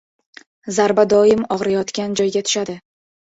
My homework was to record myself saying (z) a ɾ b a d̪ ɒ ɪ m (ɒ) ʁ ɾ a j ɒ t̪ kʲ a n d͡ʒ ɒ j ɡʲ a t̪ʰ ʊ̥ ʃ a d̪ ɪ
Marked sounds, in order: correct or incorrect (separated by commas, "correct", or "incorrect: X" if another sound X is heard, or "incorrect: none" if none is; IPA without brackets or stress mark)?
correct, correct